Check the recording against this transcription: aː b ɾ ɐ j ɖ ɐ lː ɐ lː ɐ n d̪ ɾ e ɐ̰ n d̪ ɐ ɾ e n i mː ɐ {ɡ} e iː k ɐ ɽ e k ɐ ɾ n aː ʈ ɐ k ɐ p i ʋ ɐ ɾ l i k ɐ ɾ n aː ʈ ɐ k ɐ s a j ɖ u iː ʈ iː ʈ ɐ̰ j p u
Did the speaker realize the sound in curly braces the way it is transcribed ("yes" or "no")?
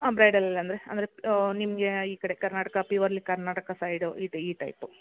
yes